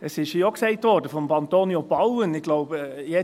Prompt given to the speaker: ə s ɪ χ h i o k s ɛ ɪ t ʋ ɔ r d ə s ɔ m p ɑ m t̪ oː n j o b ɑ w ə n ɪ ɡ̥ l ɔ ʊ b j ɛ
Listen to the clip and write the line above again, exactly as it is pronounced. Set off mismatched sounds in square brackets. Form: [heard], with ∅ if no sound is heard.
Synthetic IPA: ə s ɪ [ʃ] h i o k s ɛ ɪ t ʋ ɔ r d ə [f] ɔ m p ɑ [n] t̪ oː n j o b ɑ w ə n ɪ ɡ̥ l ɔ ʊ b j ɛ